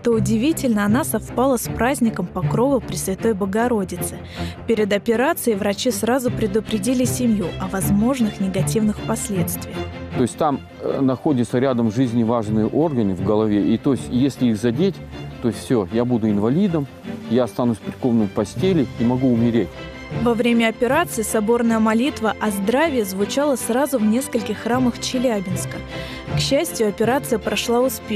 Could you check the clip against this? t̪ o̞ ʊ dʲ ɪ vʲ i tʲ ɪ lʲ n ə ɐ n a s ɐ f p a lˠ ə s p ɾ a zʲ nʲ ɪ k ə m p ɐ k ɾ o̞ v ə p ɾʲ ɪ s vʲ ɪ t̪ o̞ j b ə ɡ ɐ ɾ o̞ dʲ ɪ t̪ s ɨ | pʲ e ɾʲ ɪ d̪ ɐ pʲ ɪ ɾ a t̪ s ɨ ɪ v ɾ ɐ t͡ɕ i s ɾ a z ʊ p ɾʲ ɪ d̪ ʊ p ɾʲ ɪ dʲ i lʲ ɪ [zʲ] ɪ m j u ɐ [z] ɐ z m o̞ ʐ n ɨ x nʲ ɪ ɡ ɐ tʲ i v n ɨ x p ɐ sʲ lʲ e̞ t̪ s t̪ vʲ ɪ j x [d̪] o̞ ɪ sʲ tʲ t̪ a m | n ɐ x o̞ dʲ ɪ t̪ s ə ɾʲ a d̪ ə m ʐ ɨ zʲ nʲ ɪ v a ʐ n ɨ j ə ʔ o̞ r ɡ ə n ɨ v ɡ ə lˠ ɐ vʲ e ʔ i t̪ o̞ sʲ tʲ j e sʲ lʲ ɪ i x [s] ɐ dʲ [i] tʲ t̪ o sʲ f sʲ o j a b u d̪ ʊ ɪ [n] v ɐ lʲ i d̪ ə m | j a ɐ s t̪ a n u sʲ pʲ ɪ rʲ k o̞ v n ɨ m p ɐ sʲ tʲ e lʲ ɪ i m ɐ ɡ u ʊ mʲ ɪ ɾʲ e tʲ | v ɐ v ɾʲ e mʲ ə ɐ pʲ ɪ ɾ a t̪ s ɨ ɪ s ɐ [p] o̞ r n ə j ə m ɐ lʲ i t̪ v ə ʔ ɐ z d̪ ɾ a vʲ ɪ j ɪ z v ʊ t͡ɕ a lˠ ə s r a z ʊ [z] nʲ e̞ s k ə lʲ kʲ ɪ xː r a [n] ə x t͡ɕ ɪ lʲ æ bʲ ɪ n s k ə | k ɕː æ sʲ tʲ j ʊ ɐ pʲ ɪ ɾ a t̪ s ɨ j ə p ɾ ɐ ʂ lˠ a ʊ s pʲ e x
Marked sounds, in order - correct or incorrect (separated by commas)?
incorrect, incorrect, incorrect, incorrect, incorrect, correct, incorrect, incorrect, incorrect